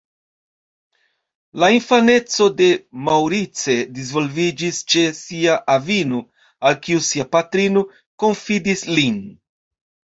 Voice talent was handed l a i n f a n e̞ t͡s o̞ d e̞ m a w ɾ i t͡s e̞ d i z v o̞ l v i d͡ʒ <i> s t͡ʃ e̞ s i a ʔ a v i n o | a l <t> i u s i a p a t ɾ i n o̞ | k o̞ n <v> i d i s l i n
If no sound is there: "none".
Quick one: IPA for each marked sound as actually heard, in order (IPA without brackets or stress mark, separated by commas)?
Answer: i, k, f